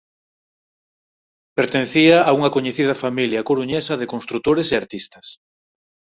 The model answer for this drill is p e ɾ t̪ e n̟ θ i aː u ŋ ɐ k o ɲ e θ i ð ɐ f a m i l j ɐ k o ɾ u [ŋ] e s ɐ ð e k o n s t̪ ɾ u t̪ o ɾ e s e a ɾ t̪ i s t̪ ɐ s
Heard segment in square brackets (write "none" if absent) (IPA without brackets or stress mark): ɲ